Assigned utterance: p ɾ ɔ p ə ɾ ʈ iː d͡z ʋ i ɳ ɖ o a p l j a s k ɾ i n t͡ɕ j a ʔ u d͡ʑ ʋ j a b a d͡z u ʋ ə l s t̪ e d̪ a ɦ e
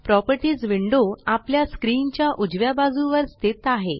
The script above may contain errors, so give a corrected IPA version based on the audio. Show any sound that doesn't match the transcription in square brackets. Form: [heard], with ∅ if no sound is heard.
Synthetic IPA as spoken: p ɾ ɔ p ə ɾ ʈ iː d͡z ʋ i ɳ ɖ o a p l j a s k ɾ i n t͡ɕ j a ʔ u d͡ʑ ʋ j a b a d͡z u ʋ ə [ɾ] s t̪ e [t̪] a ɦ e